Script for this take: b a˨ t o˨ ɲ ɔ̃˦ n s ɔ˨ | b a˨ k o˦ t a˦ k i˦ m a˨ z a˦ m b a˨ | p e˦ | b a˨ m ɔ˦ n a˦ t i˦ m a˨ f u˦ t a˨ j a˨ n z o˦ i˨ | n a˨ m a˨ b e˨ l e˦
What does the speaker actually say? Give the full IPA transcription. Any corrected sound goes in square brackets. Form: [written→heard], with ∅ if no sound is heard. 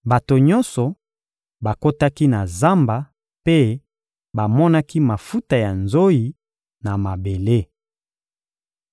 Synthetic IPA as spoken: b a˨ t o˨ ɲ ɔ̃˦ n s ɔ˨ | b a˨ k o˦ t a˦ k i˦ [m→n] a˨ z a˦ m b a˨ | p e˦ | b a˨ m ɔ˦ n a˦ [t→k] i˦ m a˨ f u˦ t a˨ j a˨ n z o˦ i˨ | n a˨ m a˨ b e˨ l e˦